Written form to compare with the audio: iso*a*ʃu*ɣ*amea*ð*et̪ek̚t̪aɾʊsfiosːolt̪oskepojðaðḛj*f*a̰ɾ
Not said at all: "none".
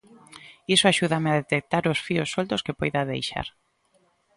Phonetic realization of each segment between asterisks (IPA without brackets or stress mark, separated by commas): a, ð, ð, ʃ